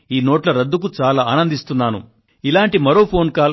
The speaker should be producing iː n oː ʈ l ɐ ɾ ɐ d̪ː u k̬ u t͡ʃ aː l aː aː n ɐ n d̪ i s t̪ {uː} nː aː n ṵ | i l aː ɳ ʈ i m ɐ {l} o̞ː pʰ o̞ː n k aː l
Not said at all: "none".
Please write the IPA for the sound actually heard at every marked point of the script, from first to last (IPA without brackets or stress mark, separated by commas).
u, ɾ